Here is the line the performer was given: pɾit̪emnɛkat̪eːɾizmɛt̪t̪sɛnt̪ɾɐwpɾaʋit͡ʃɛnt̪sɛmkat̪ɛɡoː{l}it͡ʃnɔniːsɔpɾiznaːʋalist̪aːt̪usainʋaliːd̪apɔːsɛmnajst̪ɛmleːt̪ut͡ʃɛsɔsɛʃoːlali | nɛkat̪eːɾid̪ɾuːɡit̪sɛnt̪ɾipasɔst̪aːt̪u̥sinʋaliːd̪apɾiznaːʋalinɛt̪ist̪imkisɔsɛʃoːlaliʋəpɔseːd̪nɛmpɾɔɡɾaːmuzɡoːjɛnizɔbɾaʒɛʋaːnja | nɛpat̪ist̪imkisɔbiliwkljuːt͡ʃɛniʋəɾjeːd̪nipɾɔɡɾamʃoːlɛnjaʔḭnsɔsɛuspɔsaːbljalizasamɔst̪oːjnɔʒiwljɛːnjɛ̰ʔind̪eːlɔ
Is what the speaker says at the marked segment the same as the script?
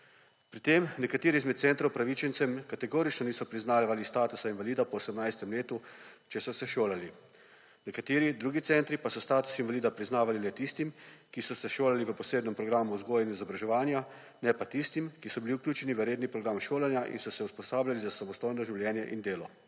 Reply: no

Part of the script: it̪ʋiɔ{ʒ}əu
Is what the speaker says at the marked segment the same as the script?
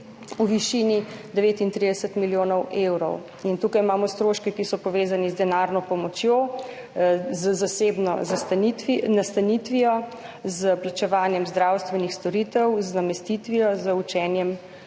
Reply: no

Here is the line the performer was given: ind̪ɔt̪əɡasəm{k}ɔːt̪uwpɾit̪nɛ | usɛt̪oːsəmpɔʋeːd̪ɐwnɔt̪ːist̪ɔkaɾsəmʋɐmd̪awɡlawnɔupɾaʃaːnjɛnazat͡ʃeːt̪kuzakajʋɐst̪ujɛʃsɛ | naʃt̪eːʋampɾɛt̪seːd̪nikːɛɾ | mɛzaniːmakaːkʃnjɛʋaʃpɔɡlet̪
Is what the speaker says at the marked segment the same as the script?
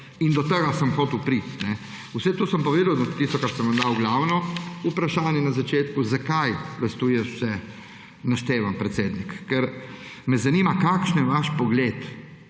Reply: no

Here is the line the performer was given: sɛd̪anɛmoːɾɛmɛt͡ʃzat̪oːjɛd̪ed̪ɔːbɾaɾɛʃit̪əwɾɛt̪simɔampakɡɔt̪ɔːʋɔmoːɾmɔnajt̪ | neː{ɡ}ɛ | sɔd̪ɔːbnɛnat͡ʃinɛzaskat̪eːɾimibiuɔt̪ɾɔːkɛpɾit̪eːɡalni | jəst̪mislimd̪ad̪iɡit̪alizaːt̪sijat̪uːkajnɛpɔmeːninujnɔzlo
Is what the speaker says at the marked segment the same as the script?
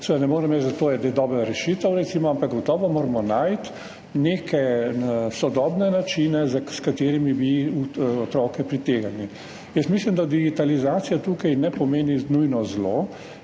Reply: no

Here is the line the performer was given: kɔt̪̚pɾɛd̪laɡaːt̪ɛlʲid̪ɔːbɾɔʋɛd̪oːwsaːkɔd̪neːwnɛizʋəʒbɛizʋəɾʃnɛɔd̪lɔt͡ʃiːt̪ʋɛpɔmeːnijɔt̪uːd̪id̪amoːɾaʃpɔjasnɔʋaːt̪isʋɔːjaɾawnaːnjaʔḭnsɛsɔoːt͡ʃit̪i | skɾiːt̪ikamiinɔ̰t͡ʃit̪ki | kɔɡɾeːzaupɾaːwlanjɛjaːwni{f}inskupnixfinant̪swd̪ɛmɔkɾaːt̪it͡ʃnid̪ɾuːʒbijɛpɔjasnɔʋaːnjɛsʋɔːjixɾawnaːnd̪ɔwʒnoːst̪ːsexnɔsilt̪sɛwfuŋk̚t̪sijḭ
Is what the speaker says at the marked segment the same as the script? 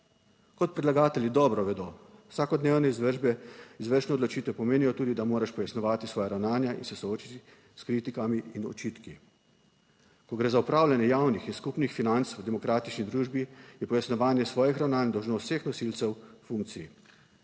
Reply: no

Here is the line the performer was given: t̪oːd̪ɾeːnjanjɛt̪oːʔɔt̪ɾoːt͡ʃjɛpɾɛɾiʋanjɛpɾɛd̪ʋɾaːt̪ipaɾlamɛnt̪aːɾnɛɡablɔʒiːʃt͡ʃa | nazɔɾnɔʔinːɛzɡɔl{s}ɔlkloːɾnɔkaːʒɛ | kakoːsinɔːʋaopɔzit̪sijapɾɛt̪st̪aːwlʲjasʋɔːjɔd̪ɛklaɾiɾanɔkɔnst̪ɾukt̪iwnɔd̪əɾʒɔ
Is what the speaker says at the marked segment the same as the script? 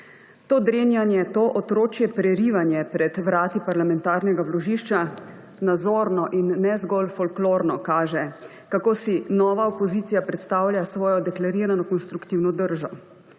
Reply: no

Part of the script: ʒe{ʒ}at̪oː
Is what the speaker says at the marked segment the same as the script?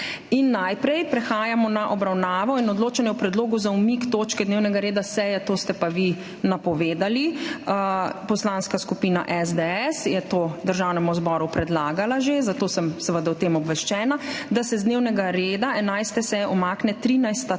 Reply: no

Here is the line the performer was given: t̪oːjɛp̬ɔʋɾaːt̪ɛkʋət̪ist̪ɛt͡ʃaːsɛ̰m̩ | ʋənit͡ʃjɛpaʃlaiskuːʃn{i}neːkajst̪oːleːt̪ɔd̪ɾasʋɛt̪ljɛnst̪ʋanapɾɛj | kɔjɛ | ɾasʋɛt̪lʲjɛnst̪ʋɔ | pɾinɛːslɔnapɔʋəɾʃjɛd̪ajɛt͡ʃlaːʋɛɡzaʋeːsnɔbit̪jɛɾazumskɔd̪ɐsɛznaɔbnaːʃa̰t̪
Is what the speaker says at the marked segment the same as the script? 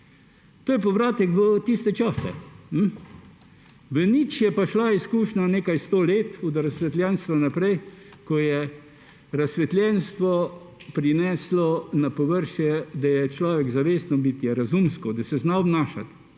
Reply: no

